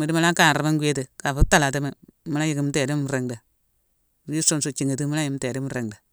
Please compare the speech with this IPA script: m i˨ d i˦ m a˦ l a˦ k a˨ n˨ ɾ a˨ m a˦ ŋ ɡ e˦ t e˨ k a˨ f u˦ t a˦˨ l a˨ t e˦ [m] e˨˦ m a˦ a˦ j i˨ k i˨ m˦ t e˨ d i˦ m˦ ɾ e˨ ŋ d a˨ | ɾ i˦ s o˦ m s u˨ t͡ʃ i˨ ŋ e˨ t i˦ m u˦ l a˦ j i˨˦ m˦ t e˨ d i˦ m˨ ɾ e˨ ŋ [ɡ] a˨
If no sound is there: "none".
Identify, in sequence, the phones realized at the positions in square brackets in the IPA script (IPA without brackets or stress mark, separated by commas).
m, d